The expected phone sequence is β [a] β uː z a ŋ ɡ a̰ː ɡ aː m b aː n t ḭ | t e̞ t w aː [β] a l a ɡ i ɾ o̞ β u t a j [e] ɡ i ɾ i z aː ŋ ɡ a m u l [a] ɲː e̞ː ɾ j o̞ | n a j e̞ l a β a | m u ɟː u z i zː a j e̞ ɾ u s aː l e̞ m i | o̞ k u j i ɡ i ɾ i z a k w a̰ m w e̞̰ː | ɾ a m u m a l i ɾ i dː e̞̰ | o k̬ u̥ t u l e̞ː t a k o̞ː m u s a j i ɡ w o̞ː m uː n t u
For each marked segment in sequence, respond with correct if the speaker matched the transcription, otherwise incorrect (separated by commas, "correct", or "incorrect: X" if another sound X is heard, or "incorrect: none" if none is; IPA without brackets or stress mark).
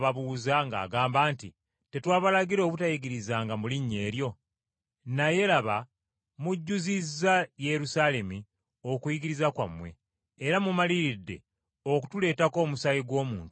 correct, correct, incorrect: i, incorrect: i